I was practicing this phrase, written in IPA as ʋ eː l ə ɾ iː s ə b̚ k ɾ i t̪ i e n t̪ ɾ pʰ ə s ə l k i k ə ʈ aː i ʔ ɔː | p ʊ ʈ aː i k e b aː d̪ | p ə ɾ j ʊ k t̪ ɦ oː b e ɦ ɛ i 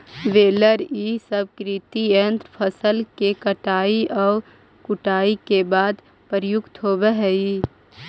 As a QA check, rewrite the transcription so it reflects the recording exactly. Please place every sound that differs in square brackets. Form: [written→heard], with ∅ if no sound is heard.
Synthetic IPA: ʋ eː l ə ɾ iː s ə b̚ k ɾ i t̪ i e n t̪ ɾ pʰ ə s ə l k [i→e] k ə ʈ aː i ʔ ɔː | [p→k] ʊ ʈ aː i k e b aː d̪ | p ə ɾ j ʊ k t̪ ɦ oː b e ɦ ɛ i